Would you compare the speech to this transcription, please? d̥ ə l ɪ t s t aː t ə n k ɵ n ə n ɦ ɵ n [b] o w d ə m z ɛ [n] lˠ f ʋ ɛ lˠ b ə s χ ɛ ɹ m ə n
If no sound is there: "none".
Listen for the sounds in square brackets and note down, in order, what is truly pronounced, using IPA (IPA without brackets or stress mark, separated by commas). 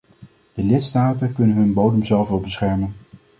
b, none